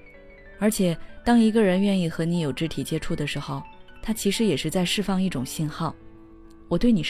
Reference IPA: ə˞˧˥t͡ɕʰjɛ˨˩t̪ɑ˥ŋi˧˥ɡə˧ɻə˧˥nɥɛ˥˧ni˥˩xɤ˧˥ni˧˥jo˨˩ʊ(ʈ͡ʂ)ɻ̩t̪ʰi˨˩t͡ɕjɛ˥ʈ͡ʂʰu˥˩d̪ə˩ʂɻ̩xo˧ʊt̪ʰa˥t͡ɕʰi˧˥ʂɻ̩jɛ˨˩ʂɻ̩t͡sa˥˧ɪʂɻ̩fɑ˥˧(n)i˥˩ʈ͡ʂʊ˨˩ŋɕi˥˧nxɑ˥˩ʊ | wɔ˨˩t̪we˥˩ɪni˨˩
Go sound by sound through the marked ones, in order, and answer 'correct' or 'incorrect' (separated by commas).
correct, incorrect